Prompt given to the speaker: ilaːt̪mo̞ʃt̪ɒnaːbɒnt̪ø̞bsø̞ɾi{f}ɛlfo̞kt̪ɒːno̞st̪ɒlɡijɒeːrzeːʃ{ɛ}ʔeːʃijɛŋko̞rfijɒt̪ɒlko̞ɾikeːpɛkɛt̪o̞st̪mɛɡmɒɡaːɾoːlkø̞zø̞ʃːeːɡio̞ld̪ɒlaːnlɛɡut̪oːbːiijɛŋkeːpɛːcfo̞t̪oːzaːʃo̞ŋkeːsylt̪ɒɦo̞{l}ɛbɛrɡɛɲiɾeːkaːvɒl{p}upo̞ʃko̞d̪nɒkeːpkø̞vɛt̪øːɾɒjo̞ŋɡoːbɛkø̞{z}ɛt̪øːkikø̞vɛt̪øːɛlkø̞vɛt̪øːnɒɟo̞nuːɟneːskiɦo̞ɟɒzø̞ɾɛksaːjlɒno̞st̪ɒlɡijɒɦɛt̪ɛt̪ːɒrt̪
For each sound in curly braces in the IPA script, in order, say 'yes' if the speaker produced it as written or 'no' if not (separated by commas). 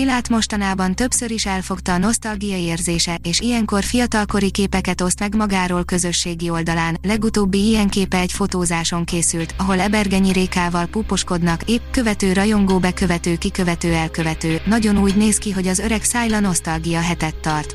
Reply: no, yes, yes, yes, no